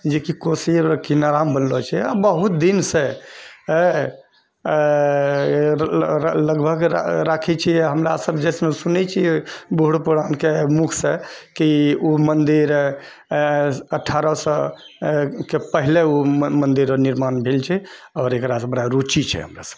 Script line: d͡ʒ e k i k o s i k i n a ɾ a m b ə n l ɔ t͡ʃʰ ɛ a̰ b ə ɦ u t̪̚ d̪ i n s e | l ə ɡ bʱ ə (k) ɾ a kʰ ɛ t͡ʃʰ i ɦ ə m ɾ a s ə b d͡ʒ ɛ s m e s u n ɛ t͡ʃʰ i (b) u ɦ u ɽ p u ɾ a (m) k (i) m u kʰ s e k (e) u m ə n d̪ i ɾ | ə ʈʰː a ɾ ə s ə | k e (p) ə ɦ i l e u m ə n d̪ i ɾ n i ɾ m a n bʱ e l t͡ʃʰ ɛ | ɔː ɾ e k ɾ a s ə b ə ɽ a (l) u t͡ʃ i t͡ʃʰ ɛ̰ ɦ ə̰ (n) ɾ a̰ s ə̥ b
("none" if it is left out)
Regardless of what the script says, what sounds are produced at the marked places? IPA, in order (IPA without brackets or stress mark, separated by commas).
ɡ, b, n, e, i, p, ɾ, m